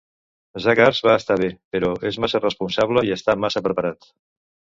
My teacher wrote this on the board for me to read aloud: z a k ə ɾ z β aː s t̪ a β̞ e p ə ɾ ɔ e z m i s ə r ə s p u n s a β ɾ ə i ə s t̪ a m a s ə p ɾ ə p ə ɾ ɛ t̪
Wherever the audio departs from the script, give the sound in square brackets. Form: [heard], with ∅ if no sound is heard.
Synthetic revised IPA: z a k [a] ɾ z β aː s t̪ a β̞ e p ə ɾ ɔ e z m [a] s ə r ə s p u n s a β [l] ə i ə s t̪ a m a s ə p ɾ ə p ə ɾ [a] t̪